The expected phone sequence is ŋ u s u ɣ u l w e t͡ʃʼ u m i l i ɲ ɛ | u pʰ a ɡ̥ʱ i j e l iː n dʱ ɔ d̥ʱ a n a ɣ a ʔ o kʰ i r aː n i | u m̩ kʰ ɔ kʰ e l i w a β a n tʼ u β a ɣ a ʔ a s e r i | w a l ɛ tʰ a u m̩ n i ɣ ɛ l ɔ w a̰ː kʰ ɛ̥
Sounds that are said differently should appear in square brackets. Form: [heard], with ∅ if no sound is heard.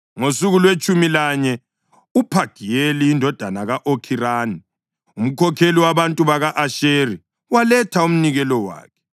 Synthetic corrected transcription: ŋ [o] s u ɣ u l w e t͡ʃʼ u m i l [a] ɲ ɛ | u pʰ a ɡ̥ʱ i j e l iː n dʱ ɔ d̥ʱ a n a ɣ a ʔ o kʰ i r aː n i | u m̩ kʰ ɔ kʰ e l i w a β a n tʼ u β a ɣ a ʔ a [ʃ] e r i | w a l ɛ tʰ a u m̩ n i ɣ ɛ l ɔ w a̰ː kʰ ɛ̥